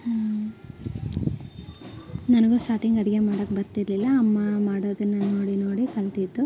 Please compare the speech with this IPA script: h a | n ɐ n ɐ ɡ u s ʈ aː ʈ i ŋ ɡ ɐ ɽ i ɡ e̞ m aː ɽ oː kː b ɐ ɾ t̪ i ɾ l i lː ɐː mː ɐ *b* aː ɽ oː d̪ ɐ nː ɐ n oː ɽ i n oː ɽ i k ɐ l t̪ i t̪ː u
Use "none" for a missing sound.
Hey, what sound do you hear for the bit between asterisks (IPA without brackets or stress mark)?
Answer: m